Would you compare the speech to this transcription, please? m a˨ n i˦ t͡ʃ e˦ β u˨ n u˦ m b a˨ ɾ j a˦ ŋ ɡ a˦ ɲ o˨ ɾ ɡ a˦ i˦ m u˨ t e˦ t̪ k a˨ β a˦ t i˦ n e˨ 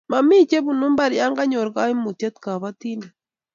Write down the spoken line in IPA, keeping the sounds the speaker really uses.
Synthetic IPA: m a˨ m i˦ t͡ʃ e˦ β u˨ n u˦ m b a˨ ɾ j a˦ ŋ ɡ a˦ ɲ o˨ ɾ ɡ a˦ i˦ m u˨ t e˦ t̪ k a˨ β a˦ t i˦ n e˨